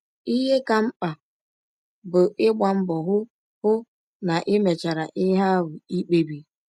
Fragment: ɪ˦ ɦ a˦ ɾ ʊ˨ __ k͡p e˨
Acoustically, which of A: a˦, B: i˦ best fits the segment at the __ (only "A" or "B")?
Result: B